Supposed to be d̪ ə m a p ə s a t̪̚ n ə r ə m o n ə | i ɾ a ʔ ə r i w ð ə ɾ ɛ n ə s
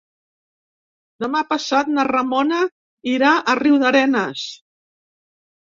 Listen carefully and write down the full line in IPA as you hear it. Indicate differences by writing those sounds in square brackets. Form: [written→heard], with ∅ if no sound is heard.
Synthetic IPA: d̪ ə m a p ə s a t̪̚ n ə r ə m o n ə | i ɾ a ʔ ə r i w ð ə ɾ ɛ n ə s